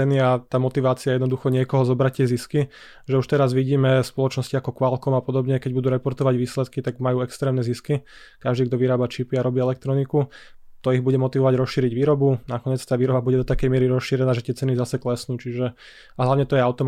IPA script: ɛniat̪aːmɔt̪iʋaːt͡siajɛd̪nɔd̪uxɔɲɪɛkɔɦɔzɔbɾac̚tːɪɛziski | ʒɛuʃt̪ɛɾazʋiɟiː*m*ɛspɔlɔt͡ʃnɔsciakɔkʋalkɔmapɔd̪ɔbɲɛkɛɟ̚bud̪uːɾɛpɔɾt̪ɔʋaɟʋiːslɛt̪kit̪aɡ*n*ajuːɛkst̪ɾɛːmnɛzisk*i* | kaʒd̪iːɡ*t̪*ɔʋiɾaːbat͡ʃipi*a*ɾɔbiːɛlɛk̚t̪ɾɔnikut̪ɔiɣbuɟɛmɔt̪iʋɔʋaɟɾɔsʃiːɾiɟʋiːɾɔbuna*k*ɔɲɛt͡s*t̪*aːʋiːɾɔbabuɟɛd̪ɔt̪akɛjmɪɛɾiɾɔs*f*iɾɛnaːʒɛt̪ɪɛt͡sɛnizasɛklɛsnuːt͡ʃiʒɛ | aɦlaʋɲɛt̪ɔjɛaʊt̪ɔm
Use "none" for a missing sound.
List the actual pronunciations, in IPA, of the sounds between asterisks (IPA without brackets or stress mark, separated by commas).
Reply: m, m, i, d̪, a, k, t̪, ʃ